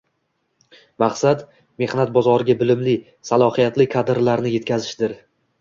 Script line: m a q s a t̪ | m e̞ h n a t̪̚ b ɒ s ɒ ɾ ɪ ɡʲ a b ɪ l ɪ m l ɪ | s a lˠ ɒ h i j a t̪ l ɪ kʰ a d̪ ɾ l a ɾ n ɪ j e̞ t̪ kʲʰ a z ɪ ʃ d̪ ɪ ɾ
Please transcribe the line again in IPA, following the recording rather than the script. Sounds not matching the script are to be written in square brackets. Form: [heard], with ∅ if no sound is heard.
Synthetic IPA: m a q s a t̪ | m e̞ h n a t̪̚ b ɒ [z] ɒ ɾ ɪ ɡʲ a b ɪ l ɪ m l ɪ | s a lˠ ɒ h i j a t̪ l ɪ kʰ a d̪ ɾ l a ɾ n ɪ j e̞ t̪ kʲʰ a z ɪ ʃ d̪ ɪ ɾ